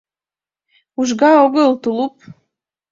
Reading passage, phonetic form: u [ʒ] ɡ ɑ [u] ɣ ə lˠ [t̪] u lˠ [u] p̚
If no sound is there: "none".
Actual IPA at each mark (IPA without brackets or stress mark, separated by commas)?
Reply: ʒ, o, t̪, u